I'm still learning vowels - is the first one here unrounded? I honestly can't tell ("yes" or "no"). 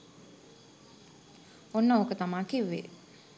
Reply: no